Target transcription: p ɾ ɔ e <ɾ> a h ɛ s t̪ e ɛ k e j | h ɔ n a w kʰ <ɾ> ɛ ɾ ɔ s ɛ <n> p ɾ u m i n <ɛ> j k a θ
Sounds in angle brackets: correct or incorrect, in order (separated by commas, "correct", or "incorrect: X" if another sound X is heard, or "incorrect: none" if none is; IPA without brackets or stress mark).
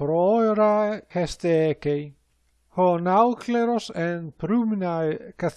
correct, incorrect: l, correct, incorrect: a